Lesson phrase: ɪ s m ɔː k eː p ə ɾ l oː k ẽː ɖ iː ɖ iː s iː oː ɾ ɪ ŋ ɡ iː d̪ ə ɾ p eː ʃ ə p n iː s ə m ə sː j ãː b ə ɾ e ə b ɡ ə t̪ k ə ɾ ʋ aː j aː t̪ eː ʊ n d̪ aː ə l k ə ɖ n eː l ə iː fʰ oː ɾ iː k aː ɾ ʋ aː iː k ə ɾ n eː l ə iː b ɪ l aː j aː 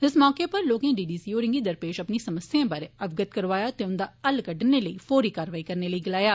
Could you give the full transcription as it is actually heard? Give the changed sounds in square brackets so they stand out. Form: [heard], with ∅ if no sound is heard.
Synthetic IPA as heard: ɪ s m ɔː k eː p ə ɾ l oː k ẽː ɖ iː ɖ iː s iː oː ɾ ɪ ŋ ɡ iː d̪ ə ɾ p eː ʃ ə p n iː s ə m ə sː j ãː b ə ɾ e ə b ɡ ə t̪ k ə ɾ ʋ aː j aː t̪ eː ʊ n d̪ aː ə l k ə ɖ n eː l ə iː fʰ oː ɾ iː k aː ɾ ʋ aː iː k ə ɾ n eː l ə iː [ɡ] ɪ l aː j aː